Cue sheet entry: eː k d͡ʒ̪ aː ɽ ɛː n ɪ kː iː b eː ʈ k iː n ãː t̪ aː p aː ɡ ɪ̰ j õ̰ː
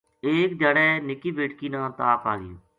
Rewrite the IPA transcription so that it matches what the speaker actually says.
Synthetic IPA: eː k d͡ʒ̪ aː ɽ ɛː n ɪ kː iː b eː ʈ k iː n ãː t̪ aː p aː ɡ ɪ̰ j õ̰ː